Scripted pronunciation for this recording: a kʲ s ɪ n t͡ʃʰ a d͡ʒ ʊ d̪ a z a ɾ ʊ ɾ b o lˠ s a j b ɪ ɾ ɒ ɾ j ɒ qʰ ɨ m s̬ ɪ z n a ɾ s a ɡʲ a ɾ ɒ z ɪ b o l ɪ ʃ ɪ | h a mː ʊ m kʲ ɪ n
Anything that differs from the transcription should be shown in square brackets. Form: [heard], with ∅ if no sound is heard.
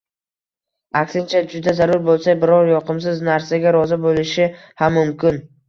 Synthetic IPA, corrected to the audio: a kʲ s ɪ n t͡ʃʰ a d͡ʒ ʊ d̪ a z a ɾ ʊ ɾ b o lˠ s a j b ɪ ɾ ɒ ɾ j ɒ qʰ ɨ m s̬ ɪ z n a ɾ s a ɡʲ a ɾ ɒ z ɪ b o l ɪ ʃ ɪ | h a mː ʊ m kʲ ɪ n